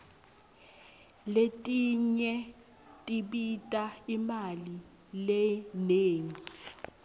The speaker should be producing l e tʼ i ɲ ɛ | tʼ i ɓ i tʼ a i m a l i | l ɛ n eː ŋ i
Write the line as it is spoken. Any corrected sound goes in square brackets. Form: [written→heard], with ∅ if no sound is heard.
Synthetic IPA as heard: l e tʼ i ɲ ɛ | tʼ i ɓ i tʼ a i m a l i | l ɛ n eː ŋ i

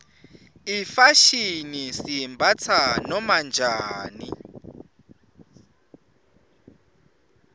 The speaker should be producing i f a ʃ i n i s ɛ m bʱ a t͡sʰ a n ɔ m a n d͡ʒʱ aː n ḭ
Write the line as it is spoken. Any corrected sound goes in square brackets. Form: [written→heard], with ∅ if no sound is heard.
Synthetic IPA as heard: i f a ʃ i n i s [ɛ→i] m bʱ a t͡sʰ a n ɔ m a n d͡ʒʱ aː n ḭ

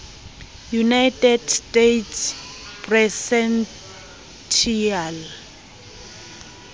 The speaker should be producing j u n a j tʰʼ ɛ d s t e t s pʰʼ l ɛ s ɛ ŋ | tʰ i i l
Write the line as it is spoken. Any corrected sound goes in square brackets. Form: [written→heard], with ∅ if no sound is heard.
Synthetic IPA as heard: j u n a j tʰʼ ɛ d s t e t s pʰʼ [l→r] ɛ s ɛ [ŋ→n] | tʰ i [i→a] l

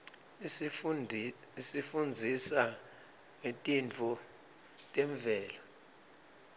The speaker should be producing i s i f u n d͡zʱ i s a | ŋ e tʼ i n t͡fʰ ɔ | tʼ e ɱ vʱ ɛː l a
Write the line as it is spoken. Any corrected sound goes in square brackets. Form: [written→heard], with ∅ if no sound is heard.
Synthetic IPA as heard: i s i f u n d͡zʱ i s a | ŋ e tʼ i n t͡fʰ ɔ | tʼ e ɱ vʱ ɛː l a

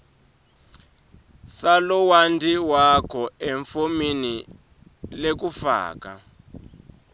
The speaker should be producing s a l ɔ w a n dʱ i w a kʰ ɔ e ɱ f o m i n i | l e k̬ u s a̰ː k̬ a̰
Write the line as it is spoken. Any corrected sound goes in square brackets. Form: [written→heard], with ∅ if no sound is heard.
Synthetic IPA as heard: s a l ɔ w a n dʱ i w a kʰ ɔ e ɱ f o m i n i | l e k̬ u [s→f] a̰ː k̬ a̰

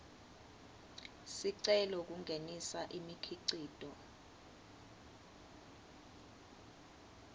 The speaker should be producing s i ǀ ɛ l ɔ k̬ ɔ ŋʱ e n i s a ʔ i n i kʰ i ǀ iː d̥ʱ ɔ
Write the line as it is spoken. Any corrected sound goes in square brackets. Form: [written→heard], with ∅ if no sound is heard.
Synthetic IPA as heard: s i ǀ ɛ l ɔ k̬ [ɔ→u] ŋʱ e n i s a ʔ i [n→m] i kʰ i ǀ iː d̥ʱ ɔ

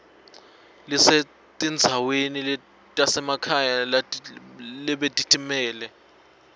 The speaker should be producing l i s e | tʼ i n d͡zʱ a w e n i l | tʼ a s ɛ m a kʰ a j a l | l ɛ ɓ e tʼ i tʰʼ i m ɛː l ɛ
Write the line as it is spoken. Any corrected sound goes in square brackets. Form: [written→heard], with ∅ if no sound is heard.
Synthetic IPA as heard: l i s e | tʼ i n d͡zʱ a w e n i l | tʼ a s ɛ m a kʰ a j a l | l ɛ ɓ e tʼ i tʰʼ i m ɛː l ɛ

